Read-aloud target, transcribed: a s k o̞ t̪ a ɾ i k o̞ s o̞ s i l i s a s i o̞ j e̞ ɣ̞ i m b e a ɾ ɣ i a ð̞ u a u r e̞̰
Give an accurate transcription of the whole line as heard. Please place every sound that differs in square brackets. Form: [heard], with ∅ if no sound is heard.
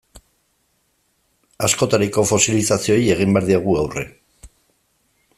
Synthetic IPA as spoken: a s k o̞ t̪ a ɾ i k o̞ [f] o̞ s i l i s a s i o̞ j e̞ ɣ̞ i m b e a ɾ [ð] i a [ɣ̞] u a [w] r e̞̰